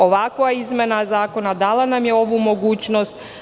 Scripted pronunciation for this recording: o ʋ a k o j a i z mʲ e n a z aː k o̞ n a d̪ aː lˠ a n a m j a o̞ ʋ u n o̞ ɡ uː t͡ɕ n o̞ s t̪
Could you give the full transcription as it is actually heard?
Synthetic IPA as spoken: o ʋ a k o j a i z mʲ e n a z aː k o̞ n a d̪ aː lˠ a n a m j e o̞ ʋ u m o̞ ɡ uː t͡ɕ n o̞ s t̪

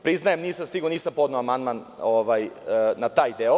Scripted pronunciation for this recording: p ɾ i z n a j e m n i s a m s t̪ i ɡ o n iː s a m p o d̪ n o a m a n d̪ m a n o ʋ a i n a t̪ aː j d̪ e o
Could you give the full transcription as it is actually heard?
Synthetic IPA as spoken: p ɾ i z n a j e m n iː s a m s t̪ i ɡ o n iː s a m p o d̪ n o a m a n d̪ m a n o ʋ a j n a t̪ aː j d̪ e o

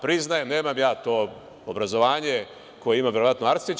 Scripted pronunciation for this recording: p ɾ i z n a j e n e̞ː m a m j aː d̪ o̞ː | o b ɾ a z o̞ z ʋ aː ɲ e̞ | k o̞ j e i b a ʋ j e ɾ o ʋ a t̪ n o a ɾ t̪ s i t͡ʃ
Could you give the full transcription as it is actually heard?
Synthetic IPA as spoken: p ɾ i z n a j e n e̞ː m a m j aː t̪ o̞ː | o b ɾ a z o̞ ʋ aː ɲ e̞ | k o̞ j e i m a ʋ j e ɾ o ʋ a t̪ n o a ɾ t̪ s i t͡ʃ

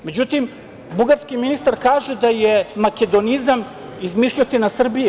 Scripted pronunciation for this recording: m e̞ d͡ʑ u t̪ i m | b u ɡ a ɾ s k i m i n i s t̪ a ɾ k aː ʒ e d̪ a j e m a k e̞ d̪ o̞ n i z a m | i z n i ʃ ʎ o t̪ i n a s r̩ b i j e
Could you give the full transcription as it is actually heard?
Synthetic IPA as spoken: m e̞ d͡ʑ u t̪ i m | b u ɡ a ɾ s k i m i n i s t̪ a ɾ k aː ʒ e d̪ a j e m a k e̞ d̪ o̞ n i z a m | i z m i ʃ ʎ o t̪ i n a s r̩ b i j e

